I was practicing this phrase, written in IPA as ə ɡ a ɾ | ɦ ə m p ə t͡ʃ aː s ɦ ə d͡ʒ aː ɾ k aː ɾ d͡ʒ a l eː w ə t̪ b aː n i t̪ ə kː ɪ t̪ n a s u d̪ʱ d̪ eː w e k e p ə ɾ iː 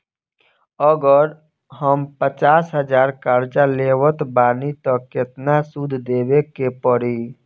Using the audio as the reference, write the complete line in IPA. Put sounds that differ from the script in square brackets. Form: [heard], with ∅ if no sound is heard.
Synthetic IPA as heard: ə ɡ [ə] ɾ | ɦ ə m p ə t͡ʃ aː s ɦ ə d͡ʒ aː ɾ k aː ɾ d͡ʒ a l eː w ə t̪ b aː n i t̪ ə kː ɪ t̪ n a s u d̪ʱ d̪ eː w e k e p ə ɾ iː

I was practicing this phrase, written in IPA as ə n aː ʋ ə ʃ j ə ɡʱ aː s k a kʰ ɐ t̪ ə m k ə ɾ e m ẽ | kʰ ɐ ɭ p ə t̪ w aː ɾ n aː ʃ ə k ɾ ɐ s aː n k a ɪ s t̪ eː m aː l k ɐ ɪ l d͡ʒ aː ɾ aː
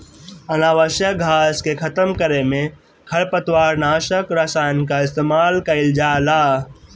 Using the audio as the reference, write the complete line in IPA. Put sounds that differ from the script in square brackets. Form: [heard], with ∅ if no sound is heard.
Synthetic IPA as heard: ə n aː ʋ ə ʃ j ə ɡʱ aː s k [e] kʰ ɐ t̪ ə m k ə ɾ e m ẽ | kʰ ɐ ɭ p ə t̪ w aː ɾ n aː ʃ ə k ɾ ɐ s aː n k a ɪ s t̪ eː m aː l k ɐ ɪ l d͡ʒ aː [l] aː

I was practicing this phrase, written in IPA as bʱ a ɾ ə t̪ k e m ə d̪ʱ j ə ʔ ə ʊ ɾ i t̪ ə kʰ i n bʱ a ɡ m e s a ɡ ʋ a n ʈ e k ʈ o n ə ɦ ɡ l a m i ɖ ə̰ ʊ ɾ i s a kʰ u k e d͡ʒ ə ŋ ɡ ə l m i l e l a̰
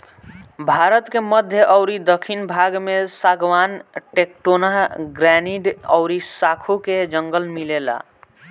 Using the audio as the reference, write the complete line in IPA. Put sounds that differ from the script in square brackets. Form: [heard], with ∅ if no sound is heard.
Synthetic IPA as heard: bʱ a ɾ ə t̪ k e m ə d̪ʱ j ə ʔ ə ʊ ɾ i [d̪] ə kʰ i n bʱ a ɡ m e s a ɡ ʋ a n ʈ e k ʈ o n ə ɦ ɡ [ɾ] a [n] i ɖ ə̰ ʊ ɾ i s a kʰ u k e d͡ʒ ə ŋ ɡ ə l m i l e l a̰

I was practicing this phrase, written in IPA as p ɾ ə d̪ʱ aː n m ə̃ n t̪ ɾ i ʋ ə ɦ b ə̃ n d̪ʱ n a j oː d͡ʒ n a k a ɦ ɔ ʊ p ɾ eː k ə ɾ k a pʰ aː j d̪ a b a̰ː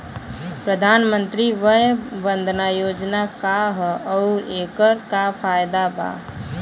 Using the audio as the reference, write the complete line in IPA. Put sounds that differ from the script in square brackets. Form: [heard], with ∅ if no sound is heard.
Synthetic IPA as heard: p ɾ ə d̪ʱ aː n m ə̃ n t̪ ɾ i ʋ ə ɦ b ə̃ n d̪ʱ n a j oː d͡ʒ n a k a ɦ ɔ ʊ [∅] ɾ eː k ə ɾ k a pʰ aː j d̪ a b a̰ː

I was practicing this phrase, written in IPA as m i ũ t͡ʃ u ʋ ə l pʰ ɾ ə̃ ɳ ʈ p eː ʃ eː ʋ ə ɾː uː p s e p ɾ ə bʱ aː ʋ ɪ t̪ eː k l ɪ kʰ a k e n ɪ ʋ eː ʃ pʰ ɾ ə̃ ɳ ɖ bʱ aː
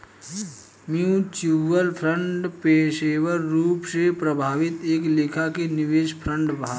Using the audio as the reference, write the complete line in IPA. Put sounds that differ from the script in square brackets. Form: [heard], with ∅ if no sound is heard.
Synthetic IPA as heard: m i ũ t͡ʃ u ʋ ə l pʰ ɾ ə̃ ɳ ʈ p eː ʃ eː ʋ ə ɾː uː p s e p ɾ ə bʱ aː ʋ ɪ t̪ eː k l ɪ kʰ a k e n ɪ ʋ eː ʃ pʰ ɾ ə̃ ɳ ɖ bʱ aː

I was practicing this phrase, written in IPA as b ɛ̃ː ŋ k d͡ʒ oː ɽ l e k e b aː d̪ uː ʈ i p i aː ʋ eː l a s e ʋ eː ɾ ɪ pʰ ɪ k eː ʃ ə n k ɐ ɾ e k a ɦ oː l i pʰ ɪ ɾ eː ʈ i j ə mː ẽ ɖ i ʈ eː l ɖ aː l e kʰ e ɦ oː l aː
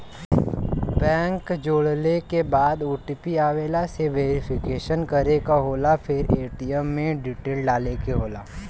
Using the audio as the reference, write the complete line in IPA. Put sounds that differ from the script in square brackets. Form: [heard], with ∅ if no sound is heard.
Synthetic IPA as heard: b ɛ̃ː ŋ k d͡ʒ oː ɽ l e k e b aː d̪ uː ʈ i p i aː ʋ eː l a s e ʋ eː ɾ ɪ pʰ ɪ k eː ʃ ə n k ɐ ɾ e k a ɦ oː l [a] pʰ ɪ ɾ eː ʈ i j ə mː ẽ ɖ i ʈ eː l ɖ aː l e [k] e ɦ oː l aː

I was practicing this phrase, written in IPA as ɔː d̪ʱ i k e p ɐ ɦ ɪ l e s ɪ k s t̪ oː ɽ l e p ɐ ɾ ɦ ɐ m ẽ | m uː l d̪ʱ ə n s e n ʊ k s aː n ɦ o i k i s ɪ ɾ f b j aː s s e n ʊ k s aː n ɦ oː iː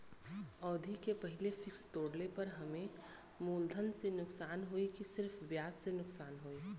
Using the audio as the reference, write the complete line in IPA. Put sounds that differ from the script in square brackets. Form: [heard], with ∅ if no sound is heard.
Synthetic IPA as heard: ɔː d̪ʱ i k e p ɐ ɦ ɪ l e [f] ɪ k s t̪ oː ɽ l e p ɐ ɾ ɦ ɐ m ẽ | m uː l d̪ʱ ə n s e n ʊ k s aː n ɦ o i k i s ɪ ɾ f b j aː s s e n ʊ k s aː n ɦ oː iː

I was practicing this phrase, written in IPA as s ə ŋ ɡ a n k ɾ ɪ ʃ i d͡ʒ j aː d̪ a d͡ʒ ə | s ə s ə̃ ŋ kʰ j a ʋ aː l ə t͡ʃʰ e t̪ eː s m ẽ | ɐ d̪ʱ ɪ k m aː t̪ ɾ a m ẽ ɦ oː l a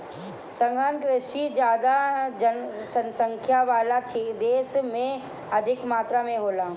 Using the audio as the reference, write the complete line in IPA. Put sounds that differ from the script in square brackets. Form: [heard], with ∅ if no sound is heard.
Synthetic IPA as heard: s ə ŋ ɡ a n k ɾ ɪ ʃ i d͡ʒ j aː d̪ a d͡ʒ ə | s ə s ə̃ ŋ kʰ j a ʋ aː l [a] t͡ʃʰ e [d̪] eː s m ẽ | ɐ d̪ʱ ɪ k m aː t̪ ɾ a m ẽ ɦ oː l a

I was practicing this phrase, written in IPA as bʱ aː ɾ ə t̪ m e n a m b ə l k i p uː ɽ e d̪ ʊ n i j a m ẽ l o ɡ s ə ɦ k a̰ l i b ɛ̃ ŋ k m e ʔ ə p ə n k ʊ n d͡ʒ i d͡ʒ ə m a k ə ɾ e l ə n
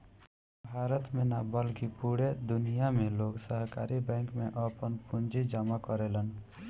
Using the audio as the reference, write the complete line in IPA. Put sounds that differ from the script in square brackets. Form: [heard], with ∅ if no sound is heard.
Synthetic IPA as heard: bʱ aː ɾ ə t̪ m e n a [∅] b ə l k i p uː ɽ e d̪ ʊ n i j a m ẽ l o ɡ s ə ɦ k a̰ [ɾ] i b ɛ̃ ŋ k m e ʔ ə p ə n [p] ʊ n d͡ʒ i d͡ʒ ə m a k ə ɾ e l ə n

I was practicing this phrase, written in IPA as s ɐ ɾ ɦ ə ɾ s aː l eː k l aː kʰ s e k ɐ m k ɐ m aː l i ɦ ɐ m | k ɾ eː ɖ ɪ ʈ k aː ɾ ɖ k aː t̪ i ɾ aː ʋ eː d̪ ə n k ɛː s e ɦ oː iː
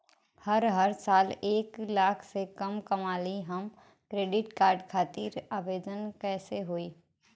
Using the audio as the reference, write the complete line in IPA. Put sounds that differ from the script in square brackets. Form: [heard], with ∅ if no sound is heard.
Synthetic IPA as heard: [h] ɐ ɾ ɦ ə ɾ s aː l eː k l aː kʰ s e k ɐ m k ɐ m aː l i ɦ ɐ m | k ɾ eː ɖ ɪ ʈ k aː ɾ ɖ [kʰ] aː t̪ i ɾ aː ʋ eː d̪ ə n k ɛː s e ɦ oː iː

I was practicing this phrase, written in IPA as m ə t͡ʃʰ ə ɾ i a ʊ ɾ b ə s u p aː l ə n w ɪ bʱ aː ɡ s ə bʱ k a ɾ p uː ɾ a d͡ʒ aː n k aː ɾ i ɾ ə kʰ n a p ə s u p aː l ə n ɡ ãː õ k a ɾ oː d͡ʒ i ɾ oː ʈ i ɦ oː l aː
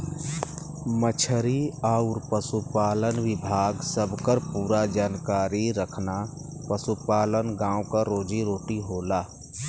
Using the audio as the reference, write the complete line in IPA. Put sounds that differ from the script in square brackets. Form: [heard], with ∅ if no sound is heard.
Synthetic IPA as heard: m ə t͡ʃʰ ə ɾ i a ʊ ɾ [p] ə s u p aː l ə n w ɪ bʱ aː ɡ s ə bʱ k [ə] ɾ p uː ɾ a d͡ʒ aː n k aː ɾ i ɾ ə kʰ n a p ə s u p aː l ə n ɡ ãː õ k a ɾ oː d͡ʒ i ɾ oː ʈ i ɦ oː l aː

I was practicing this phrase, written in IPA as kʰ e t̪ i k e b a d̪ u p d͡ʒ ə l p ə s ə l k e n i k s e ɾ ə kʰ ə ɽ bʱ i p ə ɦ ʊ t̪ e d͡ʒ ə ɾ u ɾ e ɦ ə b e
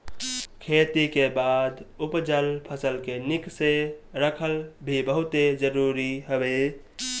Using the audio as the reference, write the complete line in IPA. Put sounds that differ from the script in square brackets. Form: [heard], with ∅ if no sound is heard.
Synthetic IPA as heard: kʰ e t̪ i k e b a d̪ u p d͡ʒ ə l [pʰ] ə s ə l k e n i k s e ɾ ə kʰ ə [l] bʱ i [b] ə ɦ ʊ t̪ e d͡ʒ ə ɾ u ɾ [i] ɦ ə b e

